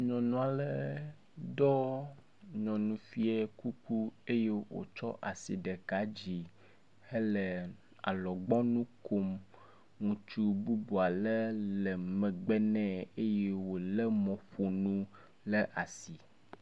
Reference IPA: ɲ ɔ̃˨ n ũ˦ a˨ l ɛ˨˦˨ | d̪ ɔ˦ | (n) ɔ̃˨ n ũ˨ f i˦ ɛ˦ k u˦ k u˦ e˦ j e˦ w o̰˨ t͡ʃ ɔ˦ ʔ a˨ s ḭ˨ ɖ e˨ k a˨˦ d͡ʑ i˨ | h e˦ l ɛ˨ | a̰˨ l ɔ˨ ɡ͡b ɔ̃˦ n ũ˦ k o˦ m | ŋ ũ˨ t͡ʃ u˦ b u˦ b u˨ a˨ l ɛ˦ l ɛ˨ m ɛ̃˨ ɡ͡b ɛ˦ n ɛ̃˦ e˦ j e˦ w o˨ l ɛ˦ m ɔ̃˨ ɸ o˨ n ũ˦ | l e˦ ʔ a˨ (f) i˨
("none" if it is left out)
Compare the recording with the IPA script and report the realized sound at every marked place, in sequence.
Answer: ɲ, s

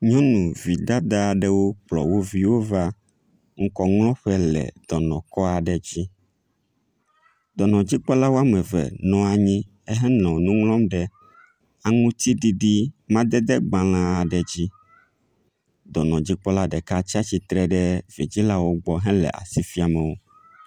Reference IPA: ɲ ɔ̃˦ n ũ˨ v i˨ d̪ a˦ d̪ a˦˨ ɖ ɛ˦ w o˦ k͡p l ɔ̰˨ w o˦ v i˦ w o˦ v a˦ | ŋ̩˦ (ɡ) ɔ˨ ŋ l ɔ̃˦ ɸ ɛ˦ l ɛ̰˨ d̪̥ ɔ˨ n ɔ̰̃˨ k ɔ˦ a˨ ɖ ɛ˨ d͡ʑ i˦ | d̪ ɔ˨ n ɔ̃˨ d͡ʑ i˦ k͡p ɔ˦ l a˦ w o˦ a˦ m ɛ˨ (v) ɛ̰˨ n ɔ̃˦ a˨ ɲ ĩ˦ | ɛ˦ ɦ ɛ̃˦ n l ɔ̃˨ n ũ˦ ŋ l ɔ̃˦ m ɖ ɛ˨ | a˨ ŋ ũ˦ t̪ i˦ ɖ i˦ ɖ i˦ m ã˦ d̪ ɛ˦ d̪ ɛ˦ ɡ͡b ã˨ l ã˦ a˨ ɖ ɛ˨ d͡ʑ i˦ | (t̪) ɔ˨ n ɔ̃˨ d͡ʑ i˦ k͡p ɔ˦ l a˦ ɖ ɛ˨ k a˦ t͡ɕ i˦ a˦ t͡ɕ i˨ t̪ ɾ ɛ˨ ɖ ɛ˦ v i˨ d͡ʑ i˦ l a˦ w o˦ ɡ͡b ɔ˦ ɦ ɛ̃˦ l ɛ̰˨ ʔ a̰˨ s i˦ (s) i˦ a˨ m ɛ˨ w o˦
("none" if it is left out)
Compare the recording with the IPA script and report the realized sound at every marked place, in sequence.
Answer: k, v, d̪, f

